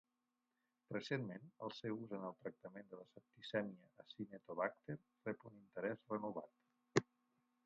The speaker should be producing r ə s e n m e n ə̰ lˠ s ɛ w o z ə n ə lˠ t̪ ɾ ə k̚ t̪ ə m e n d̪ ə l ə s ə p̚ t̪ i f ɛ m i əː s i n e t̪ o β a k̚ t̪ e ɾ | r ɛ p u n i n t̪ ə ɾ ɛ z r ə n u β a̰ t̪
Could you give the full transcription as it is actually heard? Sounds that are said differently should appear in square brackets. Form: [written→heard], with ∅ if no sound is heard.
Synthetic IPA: r ə s e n m e n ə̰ lˠ s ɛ w [o→u] z ə n ə lˠ t̪ ɾ ə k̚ t̪ ə m e n d̪ ə l ə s ə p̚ t̪ i [f→s] ɛ m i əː s i n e t̪ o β a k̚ t̪ e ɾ | r ɛ p u n i n t̪ ə ɾ ɛ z r ə n u β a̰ t̪